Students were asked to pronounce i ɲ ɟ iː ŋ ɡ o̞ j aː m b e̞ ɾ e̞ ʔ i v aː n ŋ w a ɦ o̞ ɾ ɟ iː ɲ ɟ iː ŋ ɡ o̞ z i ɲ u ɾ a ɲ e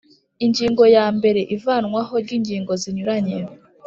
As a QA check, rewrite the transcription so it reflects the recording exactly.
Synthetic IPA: i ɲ ɟ iː ŋ ɡ o̞ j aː m b e̞ ɾ e̞ ʔ i v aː n ŋ w a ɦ o̞ ɾ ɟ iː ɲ ɟ iː ŋ ɡ o̞ z i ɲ u ɾ a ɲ e